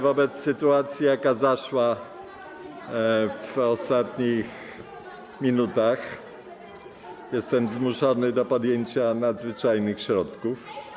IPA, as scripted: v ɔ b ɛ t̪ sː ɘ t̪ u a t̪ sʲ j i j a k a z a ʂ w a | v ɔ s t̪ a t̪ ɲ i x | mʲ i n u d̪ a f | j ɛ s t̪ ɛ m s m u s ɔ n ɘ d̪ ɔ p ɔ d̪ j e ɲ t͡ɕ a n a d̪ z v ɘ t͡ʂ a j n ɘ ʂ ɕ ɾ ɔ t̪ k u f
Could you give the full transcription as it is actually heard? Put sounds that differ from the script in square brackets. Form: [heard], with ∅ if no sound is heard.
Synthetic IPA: v ɔ b ɛ t̪ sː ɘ t̪ u a t̪ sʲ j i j a k a z a ʂ w a | v ɔ s t̪ a t̪ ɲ i x | mʲ i n u [t̪] a [x] | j ɛ s t̪ ɛ m [z] m u [ʂ] ɔ n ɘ d̪ ɔ p ɔ d̪ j e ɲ t͡ɕ a n a d̪ z v ɘ t͡ʂ a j n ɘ [x] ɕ ɾ ɔ t̪ k u f